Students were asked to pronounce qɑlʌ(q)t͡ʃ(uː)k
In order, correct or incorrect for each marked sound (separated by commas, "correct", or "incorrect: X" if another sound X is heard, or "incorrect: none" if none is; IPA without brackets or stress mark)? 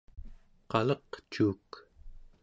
correct, correct